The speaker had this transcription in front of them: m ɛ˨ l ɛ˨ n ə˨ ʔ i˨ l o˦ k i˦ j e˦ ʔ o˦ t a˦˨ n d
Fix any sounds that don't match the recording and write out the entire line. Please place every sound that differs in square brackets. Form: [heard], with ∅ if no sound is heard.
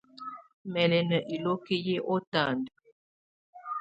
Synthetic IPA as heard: m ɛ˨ l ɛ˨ n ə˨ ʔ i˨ l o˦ k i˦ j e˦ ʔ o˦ t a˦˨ n d